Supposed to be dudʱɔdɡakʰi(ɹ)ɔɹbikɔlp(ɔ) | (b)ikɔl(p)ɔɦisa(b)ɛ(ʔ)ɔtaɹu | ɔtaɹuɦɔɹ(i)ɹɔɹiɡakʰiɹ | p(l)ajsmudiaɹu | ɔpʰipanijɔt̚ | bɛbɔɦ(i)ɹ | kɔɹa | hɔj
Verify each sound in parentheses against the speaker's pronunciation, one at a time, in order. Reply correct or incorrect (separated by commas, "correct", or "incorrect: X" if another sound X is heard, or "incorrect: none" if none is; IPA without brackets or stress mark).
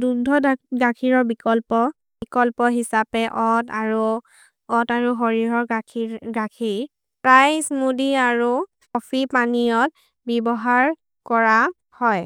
correct, correct, correct, correct, incorrect: p, correct, correct, incorrect: ɹ, incorrect: a